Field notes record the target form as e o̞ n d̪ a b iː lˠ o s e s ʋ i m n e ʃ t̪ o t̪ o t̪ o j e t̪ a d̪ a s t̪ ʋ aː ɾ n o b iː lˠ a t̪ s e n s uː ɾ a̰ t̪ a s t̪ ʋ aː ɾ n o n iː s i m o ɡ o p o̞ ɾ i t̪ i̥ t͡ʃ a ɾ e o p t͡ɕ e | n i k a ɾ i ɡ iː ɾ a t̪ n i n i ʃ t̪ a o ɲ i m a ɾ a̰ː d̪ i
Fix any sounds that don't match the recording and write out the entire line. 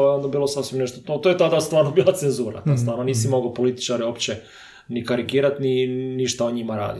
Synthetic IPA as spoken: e o̞ n d̪ a b iː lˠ o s a s ʋ i m n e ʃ t̪ o t̪ o t̪ o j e t̪ a d̪ a s t̪ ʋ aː ɾ n o b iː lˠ a t̪ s e n z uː ɾ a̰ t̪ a s t̪ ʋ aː ɾ n o n iː s i m o ɡ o p o̞ l i t̪ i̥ t͡ʃ a ɾ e o p t͡ɕ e | n i k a ɾ i ɡ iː ɾ a t̪ n i n i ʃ t̪ a o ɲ i m a ɾ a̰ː d̪ i